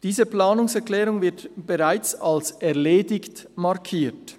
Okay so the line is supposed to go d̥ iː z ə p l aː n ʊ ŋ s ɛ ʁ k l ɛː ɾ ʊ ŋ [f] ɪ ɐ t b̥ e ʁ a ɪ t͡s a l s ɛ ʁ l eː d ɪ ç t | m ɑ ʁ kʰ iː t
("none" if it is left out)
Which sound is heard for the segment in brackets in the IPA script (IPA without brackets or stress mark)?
v